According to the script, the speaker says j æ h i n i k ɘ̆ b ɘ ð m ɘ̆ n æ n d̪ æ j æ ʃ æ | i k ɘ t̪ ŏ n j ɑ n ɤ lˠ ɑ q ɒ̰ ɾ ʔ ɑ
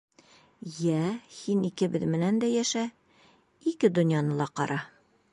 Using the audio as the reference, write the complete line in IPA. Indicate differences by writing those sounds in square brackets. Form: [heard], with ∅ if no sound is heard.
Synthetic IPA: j æ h i n i k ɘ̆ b ɘ ð m ɘ̆ n æ n d̪ æ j æ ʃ æ | i k ɘ [d̪] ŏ n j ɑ n ɤ lˠ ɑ q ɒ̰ ɾ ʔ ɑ